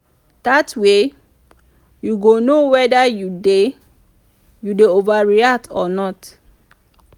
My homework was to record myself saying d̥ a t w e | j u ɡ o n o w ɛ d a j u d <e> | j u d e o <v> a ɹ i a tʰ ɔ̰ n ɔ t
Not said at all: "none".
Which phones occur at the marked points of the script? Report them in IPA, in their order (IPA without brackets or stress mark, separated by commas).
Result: e, v